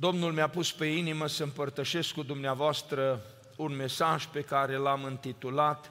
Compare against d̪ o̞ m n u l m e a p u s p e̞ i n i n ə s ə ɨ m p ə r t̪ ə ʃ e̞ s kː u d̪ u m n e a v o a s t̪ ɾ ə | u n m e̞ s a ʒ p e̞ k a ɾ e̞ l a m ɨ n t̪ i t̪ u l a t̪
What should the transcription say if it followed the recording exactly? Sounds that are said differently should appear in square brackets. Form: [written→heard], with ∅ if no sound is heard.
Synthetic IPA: d̪ o̞ m n u l m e a p u s p e̞ i n i [n→m] ə s ə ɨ m p ə r t̪ ə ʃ e̞ s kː u d̪ u m n e a v o a s t̪ ɾ ə | u n m e̞ s a ʒ p e̞ k a ɾ e̞ l a m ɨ n t̪ i t̪ u l a t̪